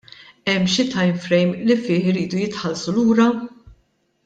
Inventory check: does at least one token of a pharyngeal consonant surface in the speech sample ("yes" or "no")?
yes